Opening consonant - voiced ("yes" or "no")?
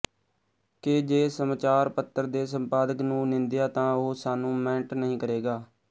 no